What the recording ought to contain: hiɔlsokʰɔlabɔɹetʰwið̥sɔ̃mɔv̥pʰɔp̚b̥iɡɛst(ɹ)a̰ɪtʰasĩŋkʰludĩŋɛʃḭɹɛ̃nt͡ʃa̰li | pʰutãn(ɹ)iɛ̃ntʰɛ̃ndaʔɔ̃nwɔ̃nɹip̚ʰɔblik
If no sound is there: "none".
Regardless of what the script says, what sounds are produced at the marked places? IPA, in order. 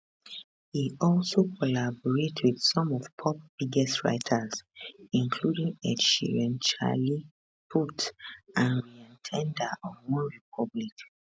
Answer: ɹ, ɹ

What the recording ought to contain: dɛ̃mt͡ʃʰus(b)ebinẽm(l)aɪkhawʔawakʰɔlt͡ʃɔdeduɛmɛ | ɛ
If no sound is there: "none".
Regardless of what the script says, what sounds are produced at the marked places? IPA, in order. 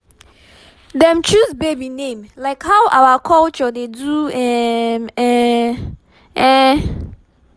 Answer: b, l

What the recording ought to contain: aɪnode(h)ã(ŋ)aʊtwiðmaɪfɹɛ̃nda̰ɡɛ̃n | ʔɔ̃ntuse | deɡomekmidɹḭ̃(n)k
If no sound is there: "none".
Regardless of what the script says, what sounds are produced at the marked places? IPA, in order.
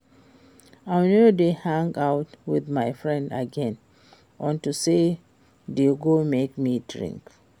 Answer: h, ŋ, ŋ

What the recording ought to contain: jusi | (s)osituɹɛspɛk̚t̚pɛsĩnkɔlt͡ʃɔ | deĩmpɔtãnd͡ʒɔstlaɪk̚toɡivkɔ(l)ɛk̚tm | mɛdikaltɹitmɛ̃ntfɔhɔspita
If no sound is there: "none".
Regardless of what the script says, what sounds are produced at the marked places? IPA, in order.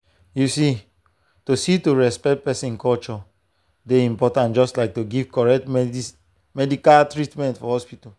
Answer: t, ɹ

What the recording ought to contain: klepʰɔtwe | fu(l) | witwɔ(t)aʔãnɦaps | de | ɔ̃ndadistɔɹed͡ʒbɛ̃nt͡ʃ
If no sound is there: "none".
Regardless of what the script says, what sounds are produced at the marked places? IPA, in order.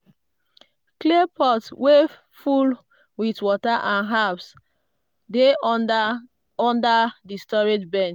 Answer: l, t

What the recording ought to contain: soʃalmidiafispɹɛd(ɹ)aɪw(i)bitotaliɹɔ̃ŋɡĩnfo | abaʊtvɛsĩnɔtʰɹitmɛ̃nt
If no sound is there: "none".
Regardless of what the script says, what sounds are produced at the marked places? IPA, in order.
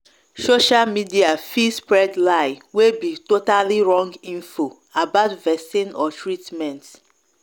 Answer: l, e

